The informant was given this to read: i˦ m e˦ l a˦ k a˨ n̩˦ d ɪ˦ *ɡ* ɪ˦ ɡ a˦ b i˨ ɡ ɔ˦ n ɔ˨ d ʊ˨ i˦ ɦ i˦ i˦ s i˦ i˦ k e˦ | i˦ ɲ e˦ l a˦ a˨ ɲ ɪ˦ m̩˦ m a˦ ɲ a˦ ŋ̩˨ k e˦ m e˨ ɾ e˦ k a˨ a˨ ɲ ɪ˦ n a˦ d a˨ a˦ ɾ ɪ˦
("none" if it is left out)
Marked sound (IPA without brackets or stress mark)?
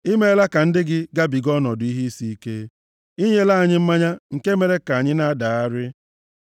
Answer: ɡ